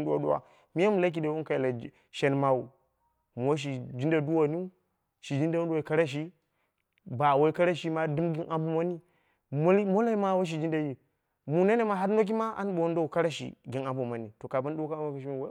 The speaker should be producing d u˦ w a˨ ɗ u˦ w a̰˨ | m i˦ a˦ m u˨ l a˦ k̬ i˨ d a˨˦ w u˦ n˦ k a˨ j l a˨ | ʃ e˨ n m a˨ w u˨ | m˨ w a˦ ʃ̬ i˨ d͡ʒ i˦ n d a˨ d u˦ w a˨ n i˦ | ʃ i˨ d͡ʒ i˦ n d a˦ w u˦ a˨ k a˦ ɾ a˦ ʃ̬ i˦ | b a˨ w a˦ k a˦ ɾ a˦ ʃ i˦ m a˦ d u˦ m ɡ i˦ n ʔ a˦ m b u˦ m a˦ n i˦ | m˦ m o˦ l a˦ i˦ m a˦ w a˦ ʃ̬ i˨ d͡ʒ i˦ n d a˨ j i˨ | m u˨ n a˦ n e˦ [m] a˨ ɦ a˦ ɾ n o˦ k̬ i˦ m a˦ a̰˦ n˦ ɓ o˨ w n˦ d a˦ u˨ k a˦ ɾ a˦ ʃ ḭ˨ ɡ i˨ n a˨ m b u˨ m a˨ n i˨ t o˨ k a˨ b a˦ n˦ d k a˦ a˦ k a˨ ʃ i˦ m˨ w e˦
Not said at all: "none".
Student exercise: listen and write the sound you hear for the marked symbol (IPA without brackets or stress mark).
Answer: m